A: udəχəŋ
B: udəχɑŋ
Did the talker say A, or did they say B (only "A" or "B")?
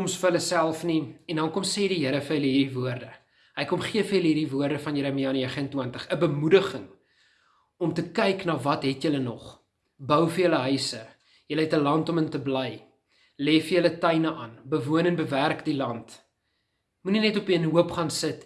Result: A